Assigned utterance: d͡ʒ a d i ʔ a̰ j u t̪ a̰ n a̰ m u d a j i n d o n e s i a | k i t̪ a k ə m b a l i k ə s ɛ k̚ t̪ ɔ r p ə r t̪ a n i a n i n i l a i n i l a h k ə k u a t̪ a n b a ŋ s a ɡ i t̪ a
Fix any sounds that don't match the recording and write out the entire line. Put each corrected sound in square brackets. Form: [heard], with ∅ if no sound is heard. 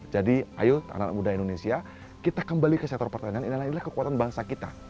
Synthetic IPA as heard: d͡ʒ a d i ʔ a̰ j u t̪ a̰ n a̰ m u d a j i n d o n e s i a | k i t̪ a k ə m b a l i k ə s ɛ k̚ t̪ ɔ r p ə r t̪ a n i a n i n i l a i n i l a h k ə k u a t̪ a n b a ŋ s a [k] i t̪ a